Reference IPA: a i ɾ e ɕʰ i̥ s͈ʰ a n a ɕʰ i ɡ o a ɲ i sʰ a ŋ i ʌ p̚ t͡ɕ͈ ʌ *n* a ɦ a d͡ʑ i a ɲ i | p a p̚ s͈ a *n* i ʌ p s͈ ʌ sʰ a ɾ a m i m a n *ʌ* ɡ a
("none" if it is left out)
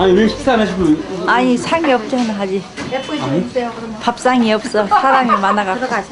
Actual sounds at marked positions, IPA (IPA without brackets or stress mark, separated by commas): n, ŋ, a